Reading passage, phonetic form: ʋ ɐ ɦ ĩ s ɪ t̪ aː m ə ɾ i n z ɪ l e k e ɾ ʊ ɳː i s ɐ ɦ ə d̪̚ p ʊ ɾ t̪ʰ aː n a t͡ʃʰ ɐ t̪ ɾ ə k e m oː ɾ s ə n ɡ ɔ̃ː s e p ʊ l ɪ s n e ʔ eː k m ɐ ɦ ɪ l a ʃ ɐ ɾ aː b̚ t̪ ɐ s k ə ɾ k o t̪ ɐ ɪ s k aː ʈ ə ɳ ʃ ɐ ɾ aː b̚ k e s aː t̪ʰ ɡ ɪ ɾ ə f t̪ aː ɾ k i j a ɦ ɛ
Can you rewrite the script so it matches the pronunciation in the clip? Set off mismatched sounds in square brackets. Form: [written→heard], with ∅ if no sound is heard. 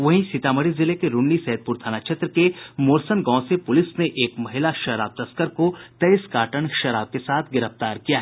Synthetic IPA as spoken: ʋ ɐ ɦ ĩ s ɪ t̪ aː m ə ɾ i [n→∅] z ɪ l e k e ɾ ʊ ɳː i s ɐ ɦ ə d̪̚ p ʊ ɾ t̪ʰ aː n a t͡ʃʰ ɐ t̪ ɾ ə k e m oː ɾ s ə n ɡ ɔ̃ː s e p ʊ l ɪ s n e ʔ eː k m ɐ ɦ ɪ l a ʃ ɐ ɾ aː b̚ t̪ ɐ s k ə ɾ k o t̪ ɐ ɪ s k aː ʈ ə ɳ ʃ ɐ ɾ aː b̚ k e s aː t̪ʰ ɡ ɪ ɾ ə f t̪ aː ɾ k i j a ɦ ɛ